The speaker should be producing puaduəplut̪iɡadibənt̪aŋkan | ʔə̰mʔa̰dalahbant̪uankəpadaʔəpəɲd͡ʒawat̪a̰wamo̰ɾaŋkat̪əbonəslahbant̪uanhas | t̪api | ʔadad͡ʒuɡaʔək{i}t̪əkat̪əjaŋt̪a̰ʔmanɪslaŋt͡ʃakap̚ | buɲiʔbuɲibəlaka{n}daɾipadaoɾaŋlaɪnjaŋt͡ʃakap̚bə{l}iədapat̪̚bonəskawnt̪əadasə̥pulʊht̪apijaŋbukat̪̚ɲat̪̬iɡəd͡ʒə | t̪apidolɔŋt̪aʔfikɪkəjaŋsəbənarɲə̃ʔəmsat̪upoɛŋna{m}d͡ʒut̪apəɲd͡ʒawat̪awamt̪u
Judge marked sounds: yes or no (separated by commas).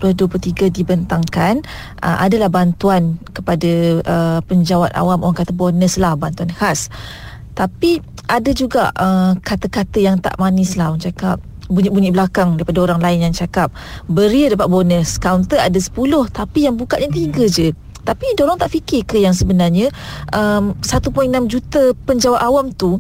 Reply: no, no, no, yes